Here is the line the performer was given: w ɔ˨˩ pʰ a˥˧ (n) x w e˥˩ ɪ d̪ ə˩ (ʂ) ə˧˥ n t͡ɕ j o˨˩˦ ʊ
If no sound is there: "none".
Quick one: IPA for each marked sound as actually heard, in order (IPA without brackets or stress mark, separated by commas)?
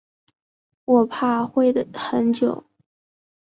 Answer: none, x